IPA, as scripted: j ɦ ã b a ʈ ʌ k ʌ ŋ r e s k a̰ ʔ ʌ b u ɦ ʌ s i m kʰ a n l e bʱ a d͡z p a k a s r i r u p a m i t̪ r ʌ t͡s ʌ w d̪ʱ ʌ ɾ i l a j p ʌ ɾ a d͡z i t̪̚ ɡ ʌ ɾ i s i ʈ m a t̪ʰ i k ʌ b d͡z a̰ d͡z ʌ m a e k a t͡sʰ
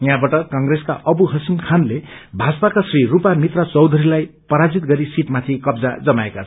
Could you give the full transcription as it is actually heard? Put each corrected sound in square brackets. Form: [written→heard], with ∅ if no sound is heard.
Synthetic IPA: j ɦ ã b a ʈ ʌ k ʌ ŋ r e s k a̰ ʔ ʌ b u ɦ ʌ s i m kʰ a n l e bʱ a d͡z p a k a s r i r u p a m i t̪ r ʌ t͡s ʌ w d̪ʱ ʌ ɾ i l a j p ʌ ɾ a d͡z i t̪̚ ɡ ʌ ɾ i s i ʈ m a t̪ʰ i k ʌ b d͡z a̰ d͡z ʌ m a e k a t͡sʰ

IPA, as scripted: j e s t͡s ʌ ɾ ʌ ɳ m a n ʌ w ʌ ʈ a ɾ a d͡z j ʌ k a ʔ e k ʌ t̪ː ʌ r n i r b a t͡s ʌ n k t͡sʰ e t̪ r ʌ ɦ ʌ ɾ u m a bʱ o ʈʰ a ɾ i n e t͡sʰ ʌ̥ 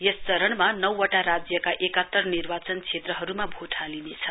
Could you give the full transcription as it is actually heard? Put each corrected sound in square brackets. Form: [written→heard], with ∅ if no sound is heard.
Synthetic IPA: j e s t͡s ʌ ɾ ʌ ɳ m a n ʌ w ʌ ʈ a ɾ a d͡z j ʌ k a ʔ e k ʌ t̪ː ʌ r n i r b a t͡s ʌ n k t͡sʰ e t̪ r ʌ ɦ ʌ ɾ u m a bʱ o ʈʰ a [ɾ→l] i n e t͡sʰ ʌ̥

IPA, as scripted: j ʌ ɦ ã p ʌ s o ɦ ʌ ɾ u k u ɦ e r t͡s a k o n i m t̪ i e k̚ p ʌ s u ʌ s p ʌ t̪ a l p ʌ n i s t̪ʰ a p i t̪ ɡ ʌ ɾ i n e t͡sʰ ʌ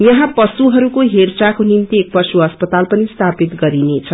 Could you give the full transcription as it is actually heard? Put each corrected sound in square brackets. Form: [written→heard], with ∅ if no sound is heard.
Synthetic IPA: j ʌ ɦ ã p ʌ s [o→u] ɦ ʌ ɾ u k [u→o] ɦ e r t͡s a k o n i m t̪ i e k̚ p ʌ s u ʌ s p ʌ t̪ a l p ʌ n i s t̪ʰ a p i t̪ ɡ ʌ ɾ i n e t͡sʰ ʌ

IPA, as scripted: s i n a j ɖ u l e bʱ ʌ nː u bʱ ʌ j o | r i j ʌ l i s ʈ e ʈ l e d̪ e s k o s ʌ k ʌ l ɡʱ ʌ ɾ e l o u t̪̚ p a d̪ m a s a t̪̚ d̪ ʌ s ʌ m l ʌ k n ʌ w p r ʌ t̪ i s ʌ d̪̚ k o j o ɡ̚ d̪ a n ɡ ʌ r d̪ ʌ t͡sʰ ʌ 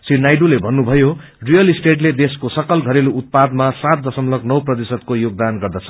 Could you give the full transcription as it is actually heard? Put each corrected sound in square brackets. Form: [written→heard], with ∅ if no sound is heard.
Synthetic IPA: s i n a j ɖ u l e bʱ ʌ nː u bʱ ʌ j o | r i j ʌ l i s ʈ e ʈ l e d̪ e s k o s ʌ k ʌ l ɡʱ ʌ ɾ e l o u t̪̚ p a d̪ m a s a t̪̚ d̪ ʌ s ʌ m l ʌ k n ʌ w p r ʌ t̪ i s ʌ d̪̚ k o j o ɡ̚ d̪ a n ɡ ʌ r d̪ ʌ t͡sʰ ʌ

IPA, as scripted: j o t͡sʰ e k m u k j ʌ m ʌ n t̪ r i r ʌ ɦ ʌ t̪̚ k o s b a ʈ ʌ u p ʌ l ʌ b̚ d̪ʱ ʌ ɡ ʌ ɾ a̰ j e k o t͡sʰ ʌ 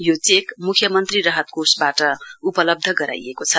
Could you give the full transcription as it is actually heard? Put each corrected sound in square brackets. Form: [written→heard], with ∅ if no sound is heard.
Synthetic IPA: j o [t͡sʰ→t͡s] e k m u [k→kʰ] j ʌ m ʌ n t̪ r i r ʌ ɦ ʌ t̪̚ k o s b a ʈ ʌ u p ʌ l ʌ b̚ d̪ʱ ʌ ɡ ʌ ɾ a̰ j e k o t͡sʰ ʌ

